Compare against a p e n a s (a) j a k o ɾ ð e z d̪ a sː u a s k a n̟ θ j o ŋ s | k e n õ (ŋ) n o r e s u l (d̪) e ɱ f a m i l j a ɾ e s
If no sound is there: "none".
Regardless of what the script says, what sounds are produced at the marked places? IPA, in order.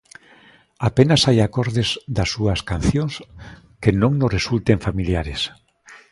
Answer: a, ŋ, t̪

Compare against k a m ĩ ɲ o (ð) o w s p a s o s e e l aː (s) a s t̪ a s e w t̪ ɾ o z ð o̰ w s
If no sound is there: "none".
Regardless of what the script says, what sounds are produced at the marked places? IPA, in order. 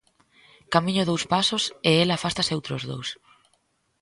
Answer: ð, f

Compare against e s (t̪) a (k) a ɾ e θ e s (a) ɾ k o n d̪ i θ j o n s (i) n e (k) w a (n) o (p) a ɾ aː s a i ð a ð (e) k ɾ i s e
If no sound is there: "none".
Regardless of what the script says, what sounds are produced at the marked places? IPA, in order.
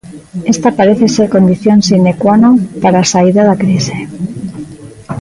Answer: t̪, p, e, i, k, n, p, a

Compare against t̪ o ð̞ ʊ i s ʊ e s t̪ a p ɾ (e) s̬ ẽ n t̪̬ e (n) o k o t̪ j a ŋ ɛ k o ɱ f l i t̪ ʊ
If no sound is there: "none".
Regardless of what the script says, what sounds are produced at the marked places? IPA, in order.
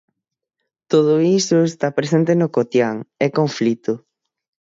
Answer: e, n

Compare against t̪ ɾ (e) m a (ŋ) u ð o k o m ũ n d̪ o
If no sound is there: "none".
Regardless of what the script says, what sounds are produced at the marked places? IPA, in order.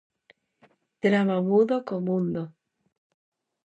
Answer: a, m

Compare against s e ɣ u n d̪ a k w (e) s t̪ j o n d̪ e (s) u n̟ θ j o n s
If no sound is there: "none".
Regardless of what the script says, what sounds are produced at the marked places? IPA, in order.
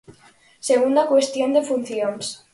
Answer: e, f

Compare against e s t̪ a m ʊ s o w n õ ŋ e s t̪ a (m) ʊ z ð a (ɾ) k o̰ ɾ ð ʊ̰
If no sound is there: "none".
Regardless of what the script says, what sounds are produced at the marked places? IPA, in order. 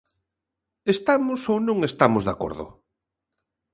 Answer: m, none

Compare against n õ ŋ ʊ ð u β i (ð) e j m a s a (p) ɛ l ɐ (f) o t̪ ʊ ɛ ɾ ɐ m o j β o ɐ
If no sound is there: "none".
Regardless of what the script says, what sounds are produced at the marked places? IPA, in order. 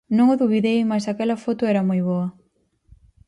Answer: ð, k, f

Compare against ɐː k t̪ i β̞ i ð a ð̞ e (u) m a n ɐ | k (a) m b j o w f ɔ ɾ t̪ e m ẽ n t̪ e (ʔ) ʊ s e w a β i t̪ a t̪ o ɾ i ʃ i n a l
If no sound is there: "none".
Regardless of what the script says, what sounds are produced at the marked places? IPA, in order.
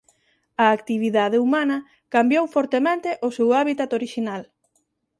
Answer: u, a, ʔ

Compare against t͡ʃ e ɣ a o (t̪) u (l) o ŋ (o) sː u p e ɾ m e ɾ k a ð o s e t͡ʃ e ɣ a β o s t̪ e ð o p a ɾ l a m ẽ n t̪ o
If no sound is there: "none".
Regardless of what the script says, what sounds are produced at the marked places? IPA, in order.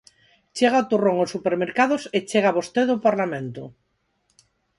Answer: t̪, r, o

